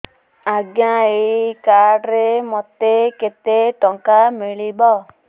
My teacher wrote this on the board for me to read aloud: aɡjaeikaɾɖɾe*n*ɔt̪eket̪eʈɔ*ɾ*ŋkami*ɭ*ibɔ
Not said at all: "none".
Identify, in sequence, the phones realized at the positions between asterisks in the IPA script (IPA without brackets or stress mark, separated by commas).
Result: m, none, ɭ